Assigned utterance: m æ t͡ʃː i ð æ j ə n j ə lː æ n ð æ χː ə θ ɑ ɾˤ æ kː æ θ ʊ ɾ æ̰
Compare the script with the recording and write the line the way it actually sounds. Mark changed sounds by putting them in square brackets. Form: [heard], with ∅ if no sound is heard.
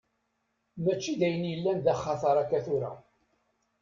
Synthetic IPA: m æ t͡ʃː i ð æ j ə n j ə lː æ n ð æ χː [ɑ] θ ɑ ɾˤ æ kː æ θ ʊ ɾ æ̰